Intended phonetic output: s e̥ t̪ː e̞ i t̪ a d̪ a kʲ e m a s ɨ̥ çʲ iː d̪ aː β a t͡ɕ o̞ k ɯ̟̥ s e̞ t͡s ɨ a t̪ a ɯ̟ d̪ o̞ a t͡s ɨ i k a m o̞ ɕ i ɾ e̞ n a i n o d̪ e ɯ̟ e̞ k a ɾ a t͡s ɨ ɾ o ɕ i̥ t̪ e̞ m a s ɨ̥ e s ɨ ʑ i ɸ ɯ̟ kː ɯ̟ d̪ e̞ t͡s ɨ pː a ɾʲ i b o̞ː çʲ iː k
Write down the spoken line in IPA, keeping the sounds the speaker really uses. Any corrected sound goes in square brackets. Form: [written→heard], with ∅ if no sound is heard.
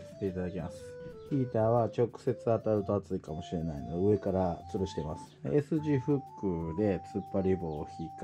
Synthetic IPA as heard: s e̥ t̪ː e̞ i t̪ a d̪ a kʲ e m a s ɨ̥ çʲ iː [d̪→t̪] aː β a t͡ɕ o̞ k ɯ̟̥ s e̞ t͡s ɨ a t̪ a ɯ̟ [d̪→t̪] o̞ a t͡s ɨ i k a m o̞ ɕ i ɾ e̞ n a i n o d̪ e ɯ̟ e̞ k a ɾ a t͡s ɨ ɾ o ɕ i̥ t̪ e̞ m a s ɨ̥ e s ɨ ʑ i ɸ ɯ̟ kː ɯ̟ d̪ e̞ t͡s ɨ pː a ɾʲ i b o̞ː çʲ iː k